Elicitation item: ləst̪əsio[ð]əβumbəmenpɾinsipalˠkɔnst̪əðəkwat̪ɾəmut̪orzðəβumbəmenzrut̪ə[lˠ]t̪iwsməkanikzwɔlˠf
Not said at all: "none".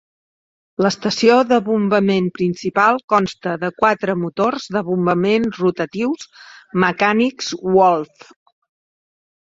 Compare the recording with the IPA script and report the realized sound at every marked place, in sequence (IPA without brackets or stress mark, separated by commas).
ð, none